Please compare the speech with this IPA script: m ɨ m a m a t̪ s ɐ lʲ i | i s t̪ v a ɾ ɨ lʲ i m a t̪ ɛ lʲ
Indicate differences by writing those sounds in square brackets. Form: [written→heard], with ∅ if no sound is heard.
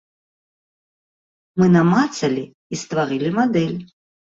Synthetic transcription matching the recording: m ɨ [m→n] a m a t̪ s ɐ lʲ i | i s t̪ v a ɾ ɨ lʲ i m a [t̪→d̪] ɛ lʲ